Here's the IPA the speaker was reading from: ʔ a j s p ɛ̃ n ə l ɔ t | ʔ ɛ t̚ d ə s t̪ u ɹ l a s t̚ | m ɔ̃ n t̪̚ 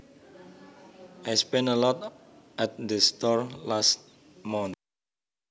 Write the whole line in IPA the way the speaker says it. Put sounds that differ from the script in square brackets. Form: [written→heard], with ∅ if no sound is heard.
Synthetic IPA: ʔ a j s p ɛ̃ n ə l ɔ t | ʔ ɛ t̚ d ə s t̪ [u→ɔ] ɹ l a s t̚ | m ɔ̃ n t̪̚